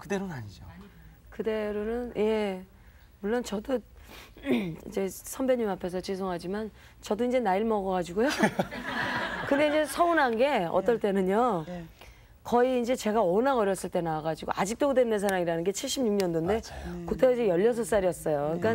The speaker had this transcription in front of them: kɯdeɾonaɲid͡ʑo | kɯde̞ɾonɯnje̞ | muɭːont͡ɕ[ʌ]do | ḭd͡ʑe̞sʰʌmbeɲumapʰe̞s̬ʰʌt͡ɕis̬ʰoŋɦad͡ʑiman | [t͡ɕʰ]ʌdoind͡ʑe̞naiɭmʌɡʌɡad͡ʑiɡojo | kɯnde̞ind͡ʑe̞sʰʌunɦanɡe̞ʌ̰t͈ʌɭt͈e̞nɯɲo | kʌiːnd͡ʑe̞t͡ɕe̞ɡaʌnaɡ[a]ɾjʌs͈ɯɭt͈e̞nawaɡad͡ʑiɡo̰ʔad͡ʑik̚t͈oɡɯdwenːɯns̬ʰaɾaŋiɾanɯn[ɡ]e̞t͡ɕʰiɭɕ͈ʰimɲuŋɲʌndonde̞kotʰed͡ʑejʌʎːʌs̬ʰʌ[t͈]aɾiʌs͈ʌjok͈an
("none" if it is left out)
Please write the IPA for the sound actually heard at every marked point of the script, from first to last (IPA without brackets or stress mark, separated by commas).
ʌ, t͡ɕ, ʌ, ɡ, s͈